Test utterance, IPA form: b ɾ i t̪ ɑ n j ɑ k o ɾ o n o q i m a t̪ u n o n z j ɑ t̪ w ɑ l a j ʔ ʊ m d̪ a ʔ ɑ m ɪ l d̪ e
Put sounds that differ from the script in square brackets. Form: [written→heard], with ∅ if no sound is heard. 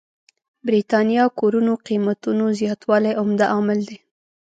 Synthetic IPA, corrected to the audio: b ɾ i t̪ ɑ n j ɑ k o ɾ [o→u] n o q i m a t̪ u n o [n→∅] z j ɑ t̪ w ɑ l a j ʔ ʊ m d̪ a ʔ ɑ m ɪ l d̪ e